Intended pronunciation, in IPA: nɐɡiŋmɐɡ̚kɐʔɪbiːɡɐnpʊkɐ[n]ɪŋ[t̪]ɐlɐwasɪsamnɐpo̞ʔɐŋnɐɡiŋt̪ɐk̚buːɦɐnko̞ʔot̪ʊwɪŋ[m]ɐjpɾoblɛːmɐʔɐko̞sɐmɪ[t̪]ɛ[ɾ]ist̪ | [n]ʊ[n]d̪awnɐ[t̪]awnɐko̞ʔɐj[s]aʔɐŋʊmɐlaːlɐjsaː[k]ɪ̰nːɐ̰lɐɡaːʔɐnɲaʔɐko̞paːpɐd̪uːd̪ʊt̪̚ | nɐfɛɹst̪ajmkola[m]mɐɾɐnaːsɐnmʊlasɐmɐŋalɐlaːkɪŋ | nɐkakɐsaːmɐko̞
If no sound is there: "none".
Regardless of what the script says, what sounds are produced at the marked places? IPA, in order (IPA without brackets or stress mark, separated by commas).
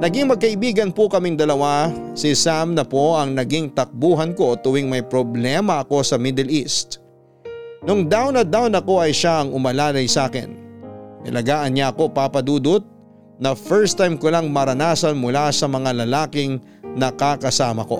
m, d̪, m, d̪, l, n, ŋ, d̪, ʃ, k, ŋ